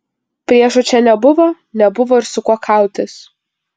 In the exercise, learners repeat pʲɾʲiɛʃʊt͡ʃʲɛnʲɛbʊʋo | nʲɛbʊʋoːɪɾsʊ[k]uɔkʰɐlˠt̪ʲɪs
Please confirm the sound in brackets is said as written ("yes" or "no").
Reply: yes